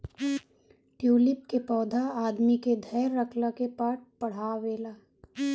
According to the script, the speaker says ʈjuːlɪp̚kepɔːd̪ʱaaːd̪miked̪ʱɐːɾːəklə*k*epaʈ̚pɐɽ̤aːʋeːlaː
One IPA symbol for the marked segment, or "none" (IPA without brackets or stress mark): k